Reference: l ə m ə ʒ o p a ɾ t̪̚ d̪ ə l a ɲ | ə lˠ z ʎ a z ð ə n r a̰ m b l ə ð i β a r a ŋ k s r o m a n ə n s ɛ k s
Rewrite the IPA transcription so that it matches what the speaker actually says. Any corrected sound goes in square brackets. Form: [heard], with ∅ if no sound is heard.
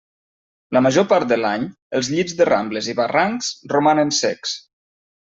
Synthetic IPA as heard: l ə m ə ʒ o p a ɾ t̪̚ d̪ ə l a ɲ | ə lˠ z ʎ [i] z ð ə [∅] r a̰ m b l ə [z] i β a r a ŋ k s r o m a n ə n s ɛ k s